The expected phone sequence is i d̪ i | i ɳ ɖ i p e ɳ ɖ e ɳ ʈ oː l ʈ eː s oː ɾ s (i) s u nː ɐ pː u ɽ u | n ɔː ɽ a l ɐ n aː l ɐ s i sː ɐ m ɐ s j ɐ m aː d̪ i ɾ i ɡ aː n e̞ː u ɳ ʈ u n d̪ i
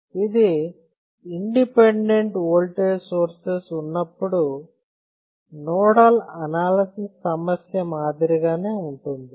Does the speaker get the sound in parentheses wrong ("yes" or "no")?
yes